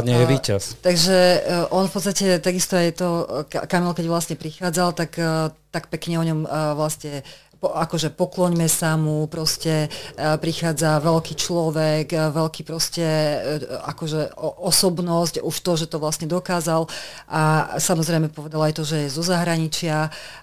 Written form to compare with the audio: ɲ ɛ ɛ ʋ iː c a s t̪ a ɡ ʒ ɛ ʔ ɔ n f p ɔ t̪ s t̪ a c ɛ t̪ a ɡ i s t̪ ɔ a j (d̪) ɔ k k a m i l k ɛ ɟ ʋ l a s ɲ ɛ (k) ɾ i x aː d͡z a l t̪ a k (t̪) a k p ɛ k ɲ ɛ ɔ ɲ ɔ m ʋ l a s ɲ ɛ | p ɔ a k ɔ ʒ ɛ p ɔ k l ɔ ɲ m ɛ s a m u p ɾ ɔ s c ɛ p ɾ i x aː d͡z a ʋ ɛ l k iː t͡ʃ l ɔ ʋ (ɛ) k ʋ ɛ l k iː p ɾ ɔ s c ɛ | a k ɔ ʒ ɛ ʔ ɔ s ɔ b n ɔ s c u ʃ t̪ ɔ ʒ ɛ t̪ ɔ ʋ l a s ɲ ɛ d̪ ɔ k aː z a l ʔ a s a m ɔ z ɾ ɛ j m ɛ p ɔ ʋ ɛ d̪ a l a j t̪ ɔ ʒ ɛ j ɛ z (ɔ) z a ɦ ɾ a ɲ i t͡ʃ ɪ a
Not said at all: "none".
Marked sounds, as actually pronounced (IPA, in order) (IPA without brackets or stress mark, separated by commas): t̪, p, t̪, ɛ, ɔ